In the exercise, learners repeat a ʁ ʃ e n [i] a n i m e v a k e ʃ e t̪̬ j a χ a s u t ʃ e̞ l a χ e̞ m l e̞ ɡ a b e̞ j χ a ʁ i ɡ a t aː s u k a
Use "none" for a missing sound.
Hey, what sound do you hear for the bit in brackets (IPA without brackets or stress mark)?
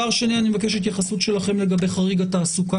i